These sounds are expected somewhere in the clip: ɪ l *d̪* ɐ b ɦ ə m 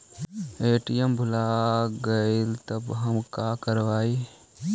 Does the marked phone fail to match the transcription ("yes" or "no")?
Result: yes